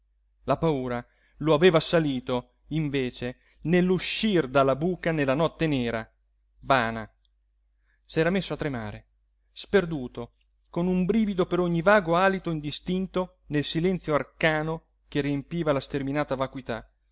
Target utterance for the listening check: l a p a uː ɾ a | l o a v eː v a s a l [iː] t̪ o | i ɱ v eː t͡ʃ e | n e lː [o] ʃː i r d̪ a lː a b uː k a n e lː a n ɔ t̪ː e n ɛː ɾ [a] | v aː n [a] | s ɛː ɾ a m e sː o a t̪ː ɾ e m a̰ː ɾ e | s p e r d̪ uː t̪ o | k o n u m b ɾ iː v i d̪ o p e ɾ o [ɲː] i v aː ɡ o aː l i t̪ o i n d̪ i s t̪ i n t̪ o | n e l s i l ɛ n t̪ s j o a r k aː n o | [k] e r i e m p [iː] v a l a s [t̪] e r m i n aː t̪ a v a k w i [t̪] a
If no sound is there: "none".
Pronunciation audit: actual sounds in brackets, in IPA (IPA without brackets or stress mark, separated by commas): iː, u, a, a, ɲː, k, iː, t̪, t̪